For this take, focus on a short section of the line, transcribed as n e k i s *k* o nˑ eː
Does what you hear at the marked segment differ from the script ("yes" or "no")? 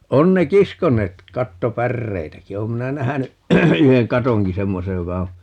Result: no